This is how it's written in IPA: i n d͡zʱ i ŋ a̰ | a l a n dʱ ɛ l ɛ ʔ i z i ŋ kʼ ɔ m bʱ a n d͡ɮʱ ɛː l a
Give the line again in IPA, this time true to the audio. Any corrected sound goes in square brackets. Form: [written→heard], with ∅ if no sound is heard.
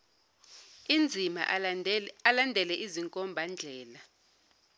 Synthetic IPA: i n d͡zʱ i [ŋ→m] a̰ | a l a n dʱ ɛ l ɛ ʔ i z i ŋ kʼ ɔ m bʱ a n d͡ɮʱ ɛː l a